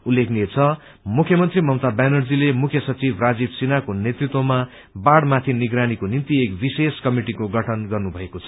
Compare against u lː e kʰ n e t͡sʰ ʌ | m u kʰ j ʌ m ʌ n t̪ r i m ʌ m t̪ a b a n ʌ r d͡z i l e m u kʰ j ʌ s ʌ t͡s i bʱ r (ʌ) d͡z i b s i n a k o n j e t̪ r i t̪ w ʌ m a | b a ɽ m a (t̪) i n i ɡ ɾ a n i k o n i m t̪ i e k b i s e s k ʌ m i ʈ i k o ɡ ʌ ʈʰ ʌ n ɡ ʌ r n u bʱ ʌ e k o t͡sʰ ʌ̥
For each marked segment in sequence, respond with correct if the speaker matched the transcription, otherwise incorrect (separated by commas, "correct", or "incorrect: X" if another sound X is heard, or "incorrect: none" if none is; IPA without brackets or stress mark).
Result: incorrect: a, incorrect: t̪ʰ